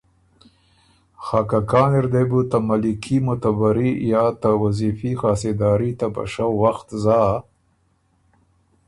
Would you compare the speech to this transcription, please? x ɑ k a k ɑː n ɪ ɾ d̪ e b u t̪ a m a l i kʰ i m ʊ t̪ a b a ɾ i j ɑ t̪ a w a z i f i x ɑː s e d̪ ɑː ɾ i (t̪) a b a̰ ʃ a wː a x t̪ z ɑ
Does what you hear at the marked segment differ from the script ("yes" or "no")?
no